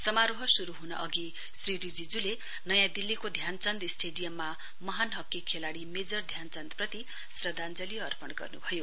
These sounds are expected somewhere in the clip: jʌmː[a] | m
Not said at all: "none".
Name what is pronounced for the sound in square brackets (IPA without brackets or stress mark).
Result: a